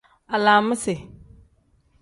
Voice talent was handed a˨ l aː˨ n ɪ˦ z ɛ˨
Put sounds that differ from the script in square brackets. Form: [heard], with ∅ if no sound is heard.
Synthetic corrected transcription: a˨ l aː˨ [m] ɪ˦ [s] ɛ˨